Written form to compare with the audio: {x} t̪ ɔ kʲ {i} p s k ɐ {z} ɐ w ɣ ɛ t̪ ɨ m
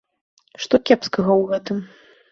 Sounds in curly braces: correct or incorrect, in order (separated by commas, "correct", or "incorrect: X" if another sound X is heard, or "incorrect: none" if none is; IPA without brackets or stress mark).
incorrect: ʂ, incorrect: ɛ, incorrect: ɣ